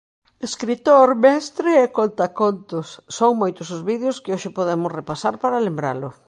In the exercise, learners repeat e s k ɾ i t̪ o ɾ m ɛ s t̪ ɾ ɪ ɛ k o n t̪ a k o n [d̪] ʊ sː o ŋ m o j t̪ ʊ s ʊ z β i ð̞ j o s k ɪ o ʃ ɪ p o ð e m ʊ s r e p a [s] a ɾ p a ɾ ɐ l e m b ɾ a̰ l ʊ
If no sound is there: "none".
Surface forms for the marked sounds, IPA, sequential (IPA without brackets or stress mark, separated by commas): t̪, s